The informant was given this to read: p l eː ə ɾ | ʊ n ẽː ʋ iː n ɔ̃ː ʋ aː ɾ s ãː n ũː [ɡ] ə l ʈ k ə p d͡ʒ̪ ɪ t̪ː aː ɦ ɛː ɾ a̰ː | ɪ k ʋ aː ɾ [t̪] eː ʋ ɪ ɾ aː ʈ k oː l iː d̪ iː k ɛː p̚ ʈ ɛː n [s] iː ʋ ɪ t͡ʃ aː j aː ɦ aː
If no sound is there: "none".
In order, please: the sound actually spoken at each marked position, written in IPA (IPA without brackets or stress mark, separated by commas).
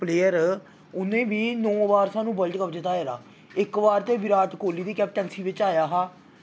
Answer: b, t̪, s